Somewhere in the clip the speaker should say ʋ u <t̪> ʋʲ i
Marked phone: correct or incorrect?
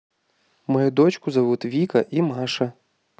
correct